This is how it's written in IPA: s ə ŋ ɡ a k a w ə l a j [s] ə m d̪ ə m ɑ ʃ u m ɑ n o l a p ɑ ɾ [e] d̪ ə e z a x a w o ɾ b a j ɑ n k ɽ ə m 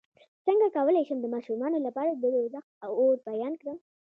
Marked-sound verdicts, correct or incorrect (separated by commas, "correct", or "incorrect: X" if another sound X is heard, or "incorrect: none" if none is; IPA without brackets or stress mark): incorrect: ʃ, incorrect: a